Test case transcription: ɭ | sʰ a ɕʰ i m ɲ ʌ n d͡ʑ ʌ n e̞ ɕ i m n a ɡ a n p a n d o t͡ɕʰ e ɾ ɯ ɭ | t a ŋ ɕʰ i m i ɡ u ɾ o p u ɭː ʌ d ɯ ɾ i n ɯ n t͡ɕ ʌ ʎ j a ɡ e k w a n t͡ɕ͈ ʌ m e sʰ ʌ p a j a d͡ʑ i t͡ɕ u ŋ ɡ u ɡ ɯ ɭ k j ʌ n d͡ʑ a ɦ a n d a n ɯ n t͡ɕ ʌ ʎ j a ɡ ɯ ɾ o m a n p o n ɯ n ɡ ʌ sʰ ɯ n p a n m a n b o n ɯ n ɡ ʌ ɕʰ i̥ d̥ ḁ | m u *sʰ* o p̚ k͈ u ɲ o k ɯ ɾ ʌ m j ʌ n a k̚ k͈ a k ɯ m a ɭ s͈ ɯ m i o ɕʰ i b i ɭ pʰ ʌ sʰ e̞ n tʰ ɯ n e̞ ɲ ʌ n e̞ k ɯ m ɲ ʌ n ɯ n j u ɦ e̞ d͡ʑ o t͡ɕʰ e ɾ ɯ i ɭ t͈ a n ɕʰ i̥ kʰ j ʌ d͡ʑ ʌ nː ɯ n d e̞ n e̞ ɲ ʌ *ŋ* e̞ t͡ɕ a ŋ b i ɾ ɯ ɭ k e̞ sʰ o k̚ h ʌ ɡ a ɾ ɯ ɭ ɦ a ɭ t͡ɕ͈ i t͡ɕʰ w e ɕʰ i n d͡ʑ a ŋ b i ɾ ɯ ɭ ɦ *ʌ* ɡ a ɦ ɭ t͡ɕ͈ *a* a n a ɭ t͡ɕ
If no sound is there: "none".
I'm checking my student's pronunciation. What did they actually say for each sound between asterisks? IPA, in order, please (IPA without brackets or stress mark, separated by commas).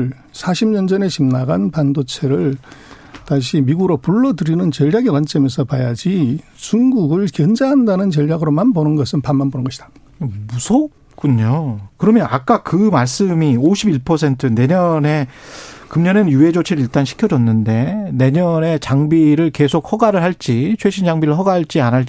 sʰ, n, ʌ, i